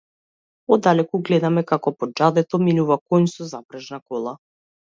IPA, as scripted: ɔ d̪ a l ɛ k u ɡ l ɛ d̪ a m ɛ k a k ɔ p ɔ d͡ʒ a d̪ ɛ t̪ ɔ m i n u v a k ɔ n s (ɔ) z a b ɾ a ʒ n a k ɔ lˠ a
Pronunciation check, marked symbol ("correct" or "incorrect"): correct